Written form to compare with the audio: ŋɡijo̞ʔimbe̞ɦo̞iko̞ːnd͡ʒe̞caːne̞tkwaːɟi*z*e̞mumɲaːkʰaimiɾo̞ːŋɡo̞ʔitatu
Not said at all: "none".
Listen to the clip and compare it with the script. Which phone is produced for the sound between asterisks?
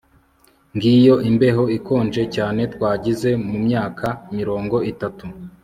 z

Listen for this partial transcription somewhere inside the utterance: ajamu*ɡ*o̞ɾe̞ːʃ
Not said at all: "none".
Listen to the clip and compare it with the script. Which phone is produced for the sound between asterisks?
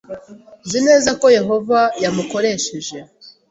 k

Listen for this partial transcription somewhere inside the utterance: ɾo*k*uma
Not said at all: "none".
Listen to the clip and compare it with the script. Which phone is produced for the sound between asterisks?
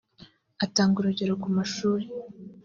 k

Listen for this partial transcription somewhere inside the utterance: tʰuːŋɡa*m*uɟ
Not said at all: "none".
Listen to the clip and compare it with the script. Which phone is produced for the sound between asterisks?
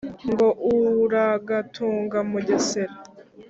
m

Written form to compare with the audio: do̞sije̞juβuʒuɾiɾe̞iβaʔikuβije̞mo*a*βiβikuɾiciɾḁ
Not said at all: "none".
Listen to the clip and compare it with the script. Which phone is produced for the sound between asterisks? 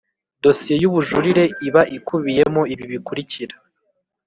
i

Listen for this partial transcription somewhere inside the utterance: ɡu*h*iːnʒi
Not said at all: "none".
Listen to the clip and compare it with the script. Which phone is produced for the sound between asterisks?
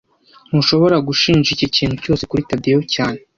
ʃ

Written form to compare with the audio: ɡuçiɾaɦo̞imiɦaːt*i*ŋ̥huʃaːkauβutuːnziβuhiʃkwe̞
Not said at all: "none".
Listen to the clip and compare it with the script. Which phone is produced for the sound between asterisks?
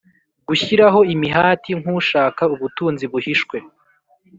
i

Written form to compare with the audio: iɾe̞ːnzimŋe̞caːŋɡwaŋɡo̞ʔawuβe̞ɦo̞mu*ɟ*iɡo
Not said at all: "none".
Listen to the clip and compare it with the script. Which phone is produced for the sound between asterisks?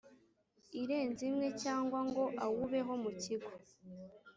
c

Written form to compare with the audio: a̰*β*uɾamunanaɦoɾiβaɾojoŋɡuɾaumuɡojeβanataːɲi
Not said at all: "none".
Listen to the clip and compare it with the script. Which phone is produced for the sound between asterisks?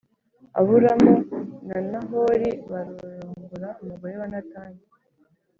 β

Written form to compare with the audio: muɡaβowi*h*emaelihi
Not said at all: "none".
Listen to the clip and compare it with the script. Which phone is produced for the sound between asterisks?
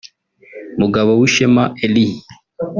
ʃ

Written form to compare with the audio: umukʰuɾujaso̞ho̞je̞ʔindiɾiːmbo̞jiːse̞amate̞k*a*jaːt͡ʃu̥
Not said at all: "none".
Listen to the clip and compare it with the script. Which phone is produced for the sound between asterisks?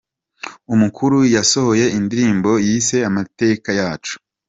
a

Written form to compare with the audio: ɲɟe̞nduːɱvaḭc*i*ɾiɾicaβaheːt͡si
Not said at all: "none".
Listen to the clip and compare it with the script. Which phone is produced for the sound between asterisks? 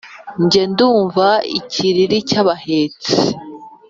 i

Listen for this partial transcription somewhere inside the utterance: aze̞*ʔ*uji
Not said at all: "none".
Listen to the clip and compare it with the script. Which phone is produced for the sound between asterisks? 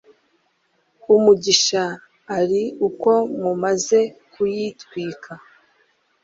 k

